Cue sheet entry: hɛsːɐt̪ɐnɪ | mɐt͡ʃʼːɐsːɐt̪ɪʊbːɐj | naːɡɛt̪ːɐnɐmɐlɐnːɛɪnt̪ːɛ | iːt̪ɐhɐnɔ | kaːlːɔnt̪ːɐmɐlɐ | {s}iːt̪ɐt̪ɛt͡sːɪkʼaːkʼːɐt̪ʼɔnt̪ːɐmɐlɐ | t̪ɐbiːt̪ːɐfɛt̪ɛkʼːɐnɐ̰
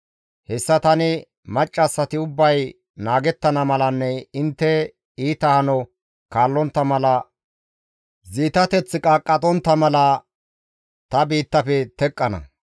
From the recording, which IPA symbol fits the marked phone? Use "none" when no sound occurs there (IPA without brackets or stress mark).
z